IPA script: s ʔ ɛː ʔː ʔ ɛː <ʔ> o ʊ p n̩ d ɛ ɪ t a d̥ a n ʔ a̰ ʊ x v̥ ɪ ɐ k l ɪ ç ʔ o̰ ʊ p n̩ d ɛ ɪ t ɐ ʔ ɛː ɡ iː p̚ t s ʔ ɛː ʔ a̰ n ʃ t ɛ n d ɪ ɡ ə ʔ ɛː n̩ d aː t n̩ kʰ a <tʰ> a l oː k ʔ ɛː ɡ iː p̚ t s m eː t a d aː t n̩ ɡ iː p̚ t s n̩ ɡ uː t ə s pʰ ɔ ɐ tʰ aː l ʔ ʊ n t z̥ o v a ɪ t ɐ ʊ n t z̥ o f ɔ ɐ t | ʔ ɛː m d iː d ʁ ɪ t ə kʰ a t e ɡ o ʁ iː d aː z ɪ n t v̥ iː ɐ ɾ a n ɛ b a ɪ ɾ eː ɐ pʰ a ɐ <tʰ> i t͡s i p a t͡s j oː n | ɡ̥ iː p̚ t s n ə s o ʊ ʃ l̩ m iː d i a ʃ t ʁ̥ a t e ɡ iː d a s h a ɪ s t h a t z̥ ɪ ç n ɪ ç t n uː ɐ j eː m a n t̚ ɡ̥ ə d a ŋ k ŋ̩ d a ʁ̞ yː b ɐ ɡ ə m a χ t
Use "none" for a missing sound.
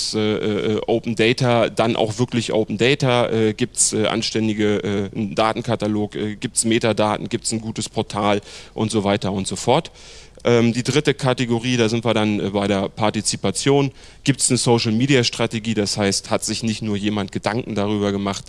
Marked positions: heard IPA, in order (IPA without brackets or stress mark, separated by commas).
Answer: ʔ, t, t